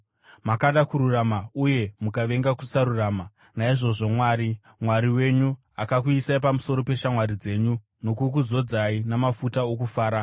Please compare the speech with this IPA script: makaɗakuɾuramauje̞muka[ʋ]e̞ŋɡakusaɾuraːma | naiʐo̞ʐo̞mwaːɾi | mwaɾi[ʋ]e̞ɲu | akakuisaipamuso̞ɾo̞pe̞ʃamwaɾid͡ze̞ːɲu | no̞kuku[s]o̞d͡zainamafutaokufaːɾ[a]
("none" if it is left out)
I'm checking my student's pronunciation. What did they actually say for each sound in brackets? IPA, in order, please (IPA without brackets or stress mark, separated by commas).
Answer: ʋ, w, z, a